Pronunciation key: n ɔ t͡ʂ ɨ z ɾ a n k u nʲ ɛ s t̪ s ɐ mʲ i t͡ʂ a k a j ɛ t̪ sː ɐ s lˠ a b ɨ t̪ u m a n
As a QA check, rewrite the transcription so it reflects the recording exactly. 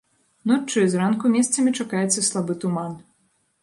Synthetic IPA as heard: n ɔ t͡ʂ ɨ z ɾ a n k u mʲ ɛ s t̪ s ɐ mʲ i t͡ʂ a k a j ɛ t̪ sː ɐ s lˠ a b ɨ t̪ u m a n